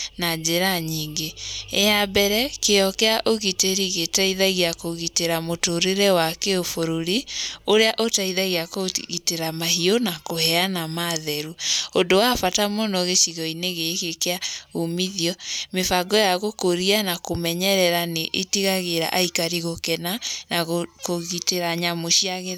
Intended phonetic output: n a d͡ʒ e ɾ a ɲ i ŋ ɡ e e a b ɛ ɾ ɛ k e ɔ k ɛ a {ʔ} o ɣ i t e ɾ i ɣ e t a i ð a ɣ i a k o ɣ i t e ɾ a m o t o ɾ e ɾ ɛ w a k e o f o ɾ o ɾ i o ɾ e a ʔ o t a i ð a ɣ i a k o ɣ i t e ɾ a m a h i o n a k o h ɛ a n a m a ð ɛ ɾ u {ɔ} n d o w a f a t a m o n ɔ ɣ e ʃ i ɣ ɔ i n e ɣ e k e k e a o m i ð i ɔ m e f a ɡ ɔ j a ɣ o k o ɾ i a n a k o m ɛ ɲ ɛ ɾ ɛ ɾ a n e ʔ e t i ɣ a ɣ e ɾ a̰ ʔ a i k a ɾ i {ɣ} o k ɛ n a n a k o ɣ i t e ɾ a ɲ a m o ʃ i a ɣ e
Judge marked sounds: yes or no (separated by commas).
yes, no, yes